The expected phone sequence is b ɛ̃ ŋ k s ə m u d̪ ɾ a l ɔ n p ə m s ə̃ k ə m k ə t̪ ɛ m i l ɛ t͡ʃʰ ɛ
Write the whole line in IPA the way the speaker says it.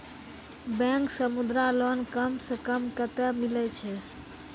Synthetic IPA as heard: b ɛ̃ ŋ k s ə m u d̪ ɾ a l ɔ n k ə m s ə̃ k ə m k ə t̪ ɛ m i l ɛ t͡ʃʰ ɛ